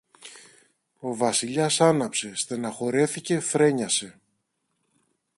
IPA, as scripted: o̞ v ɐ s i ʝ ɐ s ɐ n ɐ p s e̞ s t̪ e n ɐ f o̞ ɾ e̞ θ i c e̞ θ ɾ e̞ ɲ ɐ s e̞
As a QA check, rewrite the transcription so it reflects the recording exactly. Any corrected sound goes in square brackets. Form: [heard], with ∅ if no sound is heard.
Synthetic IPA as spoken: o̞ v ɐ s i [ʎ] ɐ s ɐ n ɐ p s e̞ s t̪ e n ɐ [x] o̞ ɾ e̞ θ i c e̞ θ ɾ e̞ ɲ ɐ s e̞